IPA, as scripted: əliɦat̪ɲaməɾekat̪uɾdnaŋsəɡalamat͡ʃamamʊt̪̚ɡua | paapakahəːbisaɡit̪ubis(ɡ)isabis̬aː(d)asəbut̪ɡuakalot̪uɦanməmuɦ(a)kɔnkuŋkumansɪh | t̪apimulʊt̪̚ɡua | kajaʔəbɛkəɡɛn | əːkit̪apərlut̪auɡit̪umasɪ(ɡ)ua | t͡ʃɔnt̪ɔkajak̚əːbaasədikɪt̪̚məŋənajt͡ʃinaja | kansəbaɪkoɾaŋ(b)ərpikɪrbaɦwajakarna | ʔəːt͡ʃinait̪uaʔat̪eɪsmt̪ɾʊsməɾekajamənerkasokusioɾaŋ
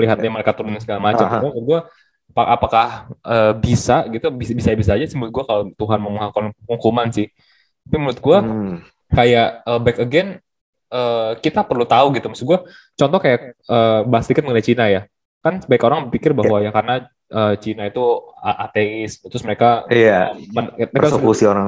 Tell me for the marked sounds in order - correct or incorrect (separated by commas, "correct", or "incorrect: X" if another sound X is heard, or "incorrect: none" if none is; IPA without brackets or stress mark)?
incorrect: b, incorrect: d͡ʒ, correct, correct, correct